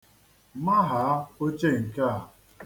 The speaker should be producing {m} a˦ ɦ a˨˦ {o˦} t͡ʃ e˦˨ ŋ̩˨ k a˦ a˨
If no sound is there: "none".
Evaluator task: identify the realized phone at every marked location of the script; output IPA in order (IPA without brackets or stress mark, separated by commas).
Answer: m, o˦